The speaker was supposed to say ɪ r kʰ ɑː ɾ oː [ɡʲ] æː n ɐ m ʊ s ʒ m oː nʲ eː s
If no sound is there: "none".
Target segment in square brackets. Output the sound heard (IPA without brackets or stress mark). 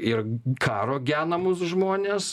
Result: ɡʲ